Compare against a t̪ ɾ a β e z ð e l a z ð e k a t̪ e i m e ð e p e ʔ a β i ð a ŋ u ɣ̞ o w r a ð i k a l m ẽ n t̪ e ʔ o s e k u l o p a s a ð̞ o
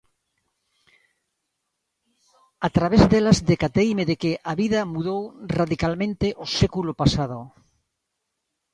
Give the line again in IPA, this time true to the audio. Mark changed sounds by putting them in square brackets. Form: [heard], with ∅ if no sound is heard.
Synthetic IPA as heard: a t̪ ɾ a β e z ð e l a z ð e k a t̪ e i m e ð e [k] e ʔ a β i ð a [m] u [ð̞] o w r a ð i k a l m ẽ n t̪ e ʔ o s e k u l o p a s a ð̞ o